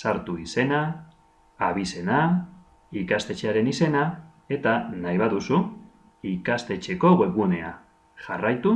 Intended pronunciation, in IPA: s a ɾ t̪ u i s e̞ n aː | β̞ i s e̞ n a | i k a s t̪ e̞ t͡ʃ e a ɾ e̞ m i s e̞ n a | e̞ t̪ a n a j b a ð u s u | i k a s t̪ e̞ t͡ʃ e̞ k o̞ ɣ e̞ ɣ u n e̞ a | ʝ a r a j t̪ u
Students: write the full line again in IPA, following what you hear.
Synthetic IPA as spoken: s a ɾ t̪ u i s e̞ n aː | β̞ i s e̞ n a | i k a s t̪ e̞ t͡ʃ e a ɾ e̞ n i s e̞ n a | e̞ t̪ a n a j β a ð u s u | i k a s t̪ e̞ t͡ʃ e̞ k o̞ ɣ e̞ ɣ u n e̞ a | ʝ a r a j t̪ u